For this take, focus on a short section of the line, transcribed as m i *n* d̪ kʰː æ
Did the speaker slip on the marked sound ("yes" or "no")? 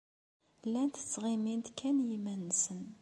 no